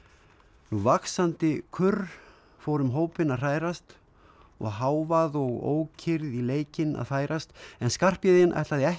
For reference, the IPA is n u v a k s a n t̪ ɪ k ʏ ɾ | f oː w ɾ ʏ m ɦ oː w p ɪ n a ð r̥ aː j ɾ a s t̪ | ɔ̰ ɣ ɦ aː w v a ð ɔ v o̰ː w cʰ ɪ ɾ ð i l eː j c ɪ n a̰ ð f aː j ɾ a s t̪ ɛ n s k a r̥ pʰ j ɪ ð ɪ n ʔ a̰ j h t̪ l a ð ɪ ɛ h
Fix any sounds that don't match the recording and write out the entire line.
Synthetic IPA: n u v a k s a n t̪ ɪ kʰ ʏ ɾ | f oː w ɾ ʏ m ɦ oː w p ɪ n a ð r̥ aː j ɾ a s t̪ | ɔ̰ ɣ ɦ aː w v a ð ɔ ɣ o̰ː w cʰ ɪ ɾ ð i l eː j c ɪ n a̰ ð f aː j ɾ a s t̪ ɛ n s k a r̥ p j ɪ ð ɪ n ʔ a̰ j h t̪ l a ð ɪ ɛ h